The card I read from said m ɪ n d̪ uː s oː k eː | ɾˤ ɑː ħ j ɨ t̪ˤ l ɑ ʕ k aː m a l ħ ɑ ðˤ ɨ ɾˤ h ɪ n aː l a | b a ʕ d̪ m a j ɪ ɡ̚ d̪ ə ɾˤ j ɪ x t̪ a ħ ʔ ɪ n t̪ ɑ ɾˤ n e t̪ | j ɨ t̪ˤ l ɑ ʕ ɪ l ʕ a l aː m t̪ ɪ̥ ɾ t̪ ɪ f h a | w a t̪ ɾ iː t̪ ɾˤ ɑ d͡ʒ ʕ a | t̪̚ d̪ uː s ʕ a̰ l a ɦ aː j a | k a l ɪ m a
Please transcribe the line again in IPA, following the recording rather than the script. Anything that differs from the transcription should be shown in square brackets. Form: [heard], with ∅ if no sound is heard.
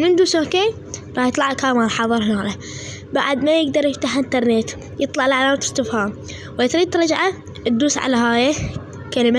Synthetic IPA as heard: m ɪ n d̪ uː s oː k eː | ɾˤ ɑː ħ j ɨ t̪ˤ l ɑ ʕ k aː m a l ħ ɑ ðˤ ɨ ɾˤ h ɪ n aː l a | b a ʕ d̪ m a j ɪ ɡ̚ d̪ [ɑ] ɾˤ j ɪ [f] t̪ a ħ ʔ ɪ n t̪ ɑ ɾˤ n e t̪ | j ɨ t̪ˤ l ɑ ʕ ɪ l ʕ a l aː m t̪ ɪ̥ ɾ t̪ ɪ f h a | w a t̪ ɾ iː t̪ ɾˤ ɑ d͡ʒ ʕ a | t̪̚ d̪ uː s ʕ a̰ l a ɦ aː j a | k a l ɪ m a